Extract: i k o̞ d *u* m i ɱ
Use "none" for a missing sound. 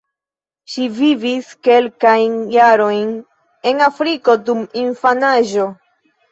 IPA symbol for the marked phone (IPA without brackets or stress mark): u